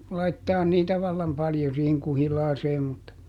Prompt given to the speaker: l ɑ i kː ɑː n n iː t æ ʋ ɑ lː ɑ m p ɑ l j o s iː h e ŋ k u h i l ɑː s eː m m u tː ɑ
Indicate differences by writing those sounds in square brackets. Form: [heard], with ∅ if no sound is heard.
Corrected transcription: l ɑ i [tː] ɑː n n iː t æ ʋ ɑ lː ɑ m p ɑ l j o s iː h e ŋ k u h i l ɑː s eː m m u tː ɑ

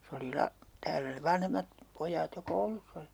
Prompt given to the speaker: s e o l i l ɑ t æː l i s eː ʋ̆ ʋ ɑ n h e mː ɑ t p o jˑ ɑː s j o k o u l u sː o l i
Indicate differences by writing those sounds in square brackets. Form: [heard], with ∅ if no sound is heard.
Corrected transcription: s e o l i l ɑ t æː l [æ] s [e] ʋ̆ ʋ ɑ n h e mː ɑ t p o jˑ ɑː [t] j o k o u l u sː o l i

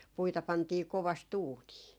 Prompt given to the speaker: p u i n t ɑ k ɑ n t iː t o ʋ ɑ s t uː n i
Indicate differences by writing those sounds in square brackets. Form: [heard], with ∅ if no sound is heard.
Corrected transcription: p u i [∅] t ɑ [p] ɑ n t iː [k] o ʋ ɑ s t uː n [iː]

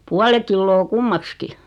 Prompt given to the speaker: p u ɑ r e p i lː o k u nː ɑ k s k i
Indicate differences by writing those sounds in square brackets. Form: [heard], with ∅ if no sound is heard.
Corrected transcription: p u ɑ [l] e [k] i lː [oː] k u [mː] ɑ k s k i

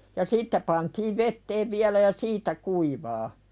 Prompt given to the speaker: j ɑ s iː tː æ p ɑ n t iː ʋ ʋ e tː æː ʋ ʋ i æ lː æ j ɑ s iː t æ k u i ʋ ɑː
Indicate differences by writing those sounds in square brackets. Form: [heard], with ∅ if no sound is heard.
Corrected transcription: j ɑ s iː tː æ p ɑ n t iː ʋ ʋ e tː [eː] ʋ ʋ i æ [l] æ j ɑ s iː t æ k u i ʋ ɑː

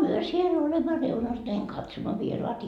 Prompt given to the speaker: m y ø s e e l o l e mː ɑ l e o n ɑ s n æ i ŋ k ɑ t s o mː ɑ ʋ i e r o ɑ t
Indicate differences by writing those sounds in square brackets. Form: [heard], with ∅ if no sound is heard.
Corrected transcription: m y ø s [i] e l o l e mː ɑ [r] e [u] n ɑ s n æ i ŋ k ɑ t s o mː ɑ ʋ i e r o ɑ t

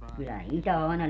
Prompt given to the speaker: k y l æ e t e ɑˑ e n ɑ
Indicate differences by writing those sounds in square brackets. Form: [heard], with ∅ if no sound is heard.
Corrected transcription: k y [lː] æ [i] t [æ] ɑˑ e n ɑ

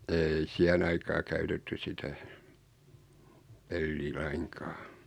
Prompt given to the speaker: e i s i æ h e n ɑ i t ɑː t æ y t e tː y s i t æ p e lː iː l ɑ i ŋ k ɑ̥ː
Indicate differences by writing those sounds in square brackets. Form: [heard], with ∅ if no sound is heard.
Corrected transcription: e i s i æ h e n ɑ i [k] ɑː [k] æ y t e tː y s i t æ p e lː iː l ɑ i ŋ k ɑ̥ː

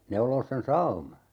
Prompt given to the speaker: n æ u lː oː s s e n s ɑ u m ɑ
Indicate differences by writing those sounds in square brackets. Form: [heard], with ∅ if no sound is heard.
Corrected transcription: n [e] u [l] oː s s e n s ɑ u m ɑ

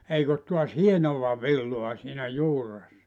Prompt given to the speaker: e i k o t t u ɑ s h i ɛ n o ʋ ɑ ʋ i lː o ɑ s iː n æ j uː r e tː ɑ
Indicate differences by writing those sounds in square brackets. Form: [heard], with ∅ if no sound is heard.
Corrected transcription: e i k o t t u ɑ s h i [e] n o ʋ ɑ ʋ i lː o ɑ s iː n æ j uː r e [sː] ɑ

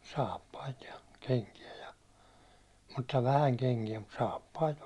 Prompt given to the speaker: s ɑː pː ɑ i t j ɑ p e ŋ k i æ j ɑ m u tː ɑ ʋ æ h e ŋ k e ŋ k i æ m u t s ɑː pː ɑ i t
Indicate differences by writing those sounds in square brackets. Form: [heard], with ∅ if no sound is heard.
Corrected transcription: s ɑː pː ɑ i t j ɑ [k] e ŋ k i æ j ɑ m u tː ɑ ʋ æ h [æ] ŋ k e ŋ k i æ m u t s ɑː pː ɑ i t

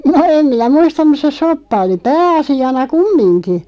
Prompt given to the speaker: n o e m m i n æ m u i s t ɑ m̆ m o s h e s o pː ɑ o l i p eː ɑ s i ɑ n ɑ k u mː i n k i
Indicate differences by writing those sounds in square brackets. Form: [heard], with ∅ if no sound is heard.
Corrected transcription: n o e m m i n æ m u i s t ɑ m̆ m [u] s [s] e s o pː ɑ o l i p [æː] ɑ s i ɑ n ɑ k u mː i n k i

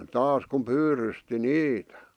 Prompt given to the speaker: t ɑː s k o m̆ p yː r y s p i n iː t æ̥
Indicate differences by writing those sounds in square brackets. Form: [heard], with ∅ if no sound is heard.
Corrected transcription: t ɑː s k [u] m̆ p yː r y s [t] i n iː t æ̥

